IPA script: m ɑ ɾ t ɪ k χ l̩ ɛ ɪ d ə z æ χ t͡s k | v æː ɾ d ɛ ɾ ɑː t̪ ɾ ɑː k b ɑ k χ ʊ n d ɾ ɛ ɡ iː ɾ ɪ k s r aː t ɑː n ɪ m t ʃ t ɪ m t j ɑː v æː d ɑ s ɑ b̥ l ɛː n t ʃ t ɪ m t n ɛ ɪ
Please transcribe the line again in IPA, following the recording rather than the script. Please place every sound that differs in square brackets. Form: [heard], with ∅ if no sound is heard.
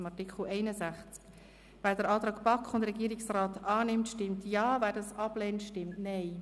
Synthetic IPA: m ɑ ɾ t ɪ k χ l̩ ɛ ɪ [n] ə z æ χ t͡s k | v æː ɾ d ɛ ɾ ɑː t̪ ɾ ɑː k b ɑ k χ ʊ n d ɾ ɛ ɡ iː ɾ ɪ k s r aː t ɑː n ɪ m t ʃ t ɪ m t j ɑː v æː d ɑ s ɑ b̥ l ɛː n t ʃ t ɪ m t n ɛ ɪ